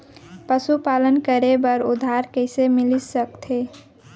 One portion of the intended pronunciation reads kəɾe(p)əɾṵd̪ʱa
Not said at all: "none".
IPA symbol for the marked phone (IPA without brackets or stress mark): b